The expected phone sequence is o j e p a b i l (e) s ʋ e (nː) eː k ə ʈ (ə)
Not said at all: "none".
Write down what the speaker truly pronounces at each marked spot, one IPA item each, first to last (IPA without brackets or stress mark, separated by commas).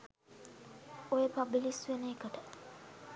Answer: i, n, ə